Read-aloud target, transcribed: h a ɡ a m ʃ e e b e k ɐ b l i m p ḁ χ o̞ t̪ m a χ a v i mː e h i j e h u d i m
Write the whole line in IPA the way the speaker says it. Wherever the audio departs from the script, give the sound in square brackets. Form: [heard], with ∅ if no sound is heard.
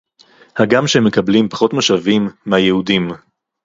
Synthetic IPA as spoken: h a ɡ a m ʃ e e [m] e k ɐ b l i m p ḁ χ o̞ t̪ m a [ʃ] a v i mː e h [a] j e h u d i m